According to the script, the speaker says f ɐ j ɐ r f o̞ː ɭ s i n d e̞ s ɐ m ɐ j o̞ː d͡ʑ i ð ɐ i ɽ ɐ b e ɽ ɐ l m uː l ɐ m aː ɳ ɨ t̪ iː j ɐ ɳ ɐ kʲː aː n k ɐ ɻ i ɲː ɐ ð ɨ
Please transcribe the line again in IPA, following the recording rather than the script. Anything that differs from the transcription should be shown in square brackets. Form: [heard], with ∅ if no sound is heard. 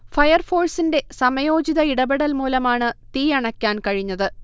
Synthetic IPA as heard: f ɐ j ɐ r f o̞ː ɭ s i n d e̞ s ɐ m ɐ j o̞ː d͡ʑ i ð ɐ i ɽ ɐ b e ɽ ɐ l m uː l ɐ m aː ɳ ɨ t̪ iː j ɐ ɳ ɐ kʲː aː n k ɐ ɻ i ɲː ɐ ð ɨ